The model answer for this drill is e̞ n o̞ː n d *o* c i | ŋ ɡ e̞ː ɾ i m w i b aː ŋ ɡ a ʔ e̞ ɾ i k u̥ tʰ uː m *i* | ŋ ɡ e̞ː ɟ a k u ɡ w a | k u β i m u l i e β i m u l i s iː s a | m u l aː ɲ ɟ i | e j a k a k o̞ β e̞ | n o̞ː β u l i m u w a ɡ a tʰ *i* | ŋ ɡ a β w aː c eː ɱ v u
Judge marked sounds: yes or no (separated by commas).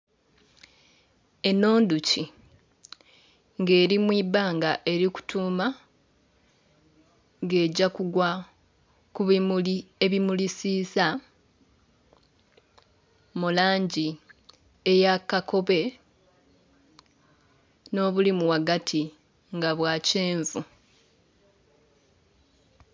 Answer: no, no, yes